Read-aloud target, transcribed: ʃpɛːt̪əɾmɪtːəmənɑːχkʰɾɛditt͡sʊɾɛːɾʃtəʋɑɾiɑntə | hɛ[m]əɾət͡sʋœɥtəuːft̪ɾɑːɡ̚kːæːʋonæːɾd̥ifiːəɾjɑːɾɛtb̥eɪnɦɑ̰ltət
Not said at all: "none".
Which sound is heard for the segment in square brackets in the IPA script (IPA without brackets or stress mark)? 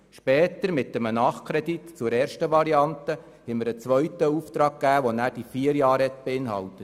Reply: m